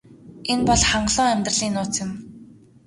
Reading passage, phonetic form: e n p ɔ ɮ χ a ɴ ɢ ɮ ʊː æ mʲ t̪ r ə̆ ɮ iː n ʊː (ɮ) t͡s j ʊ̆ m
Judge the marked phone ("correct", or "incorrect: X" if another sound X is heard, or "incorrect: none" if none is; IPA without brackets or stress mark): incorrect: none